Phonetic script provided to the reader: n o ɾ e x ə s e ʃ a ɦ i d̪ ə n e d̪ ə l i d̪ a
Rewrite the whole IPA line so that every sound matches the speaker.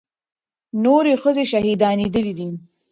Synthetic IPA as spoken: n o ɾ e x ə z e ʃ a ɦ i d̪ ɑ n e d̪ ə l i d̪ i

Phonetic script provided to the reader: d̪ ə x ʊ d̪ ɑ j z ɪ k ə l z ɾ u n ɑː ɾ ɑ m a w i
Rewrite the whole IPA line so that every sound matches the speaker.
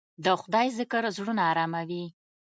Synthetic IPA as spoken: d̪ ə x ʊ d̪ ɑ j z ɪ k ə ɾ z ɽ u n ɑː ɾ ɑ m a w i

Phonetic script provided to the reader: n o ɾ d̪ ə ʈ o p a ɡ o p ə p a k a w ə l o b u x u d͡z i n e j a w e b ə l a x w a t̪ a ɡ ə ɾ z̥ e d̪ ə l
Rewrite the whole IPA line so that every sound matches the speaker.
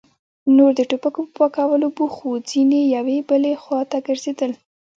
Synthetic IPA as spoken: n o ɾ d̪ ə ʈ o p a k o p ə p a k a w ə l o b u x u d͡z i n e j a w e b ə l e x w ɑ t̪ a ɡ ə ɾ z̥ e d̪ ə l

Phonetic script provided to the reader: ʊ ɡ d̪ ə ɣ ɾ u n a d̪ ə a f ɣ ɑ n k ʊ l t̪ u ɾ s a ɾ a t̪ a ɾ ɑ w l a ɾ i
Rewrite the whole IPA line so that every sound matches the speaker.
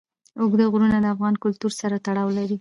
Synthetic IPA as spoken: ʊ ɡ d̪ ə ɣ ɾ u n a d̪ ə a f ɣ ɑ n k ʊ l t̪ u ɾ s a ɾ a t̪ a ɽ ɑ w l a ɾ i

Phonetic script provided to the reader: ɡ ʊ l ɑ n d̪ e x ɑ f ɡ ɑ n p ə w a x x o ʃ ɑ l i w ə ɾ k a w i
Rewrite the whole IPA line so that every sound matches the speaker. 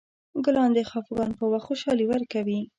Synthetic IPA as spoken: ɡ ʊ l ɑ n d̪ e x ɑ f ɡ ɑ n p ə w a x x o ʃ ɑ l i w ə ɾ k a w i

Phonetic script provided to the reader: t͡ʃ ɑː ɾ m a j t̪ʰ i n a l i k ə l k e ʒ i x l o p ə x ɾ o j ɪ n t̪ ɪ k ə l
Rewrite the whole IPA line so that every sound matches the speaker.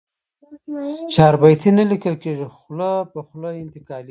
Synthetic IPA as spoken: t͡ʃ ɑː ɾ b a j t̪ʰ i n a l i k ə l k e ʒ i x l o p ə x l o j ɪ n t̪ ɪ k ɑ l

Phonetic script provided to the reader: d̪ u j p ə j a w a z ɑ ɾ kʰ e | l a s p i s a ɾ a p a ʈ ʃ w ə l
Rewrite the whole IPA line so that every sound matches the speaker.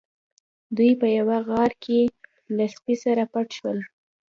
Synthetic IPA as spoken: d̪ u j p ə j a w a ɣ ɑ ɾ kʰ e | l a s p i s a ɾ a p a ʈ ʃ w ə l

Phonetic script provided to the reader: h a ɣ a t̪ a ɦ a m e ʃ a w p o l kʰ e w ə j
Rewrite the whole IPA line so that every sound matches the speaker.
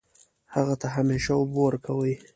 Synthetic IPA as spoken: h a ɣ a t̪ a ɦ a m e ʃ a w b o ɾ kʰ a w ə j

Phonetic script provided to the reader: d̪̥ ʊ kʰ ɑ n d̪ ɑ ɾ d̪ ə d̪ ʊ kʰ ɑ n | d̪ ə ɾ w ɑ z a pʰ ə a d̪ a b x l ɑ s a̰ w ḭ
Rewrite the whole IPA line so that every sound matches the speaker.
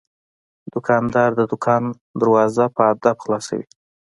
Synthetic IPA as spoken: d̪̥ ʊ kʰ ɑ n d̪ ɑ ɾ d̪ ə d̪ ʊ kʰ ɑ n | d̪ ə ɾ w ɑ z a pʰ ə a d̪ a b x l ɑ s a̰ w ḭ

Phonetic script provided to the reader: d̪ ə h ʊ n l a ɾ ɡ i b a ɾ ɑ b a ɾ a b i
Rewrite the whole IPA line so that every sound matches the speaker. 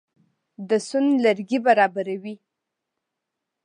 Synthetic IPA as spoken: d̪ ə s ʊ n l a ɾ ɡ i b a ɾ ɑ b a ɾ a w i

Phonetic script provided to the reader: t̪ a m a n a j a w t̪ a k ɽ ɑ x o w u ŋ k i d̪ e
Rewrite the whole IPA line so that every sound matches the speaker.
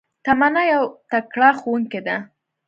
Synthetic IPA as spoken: t̪ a m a n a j a w t̪ a k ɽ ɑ x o w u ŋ k e d̪ a

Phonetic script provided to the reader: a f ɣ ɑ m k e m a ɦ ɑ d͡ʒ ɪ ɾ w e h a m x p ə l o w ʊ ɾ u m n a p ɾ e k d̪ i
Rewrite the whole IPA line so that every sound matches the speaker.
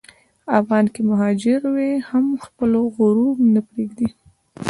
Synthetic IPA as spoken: a f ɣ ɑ n k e m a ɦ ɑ d͡ʒ ɪ ɾ w e h a m x p ə l o ɣ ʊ ɾ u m n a p ɾ e ɡ d̪ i

